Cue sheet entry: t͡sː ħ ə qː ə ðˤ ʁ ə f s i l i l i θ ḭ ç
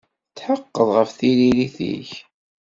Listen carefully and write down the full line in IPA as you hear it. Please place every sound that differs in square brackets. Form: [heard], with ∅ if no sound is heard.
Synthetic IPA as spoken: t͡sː ħ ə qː ə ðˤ ʁ ə f [θ] i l i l i θ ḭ ç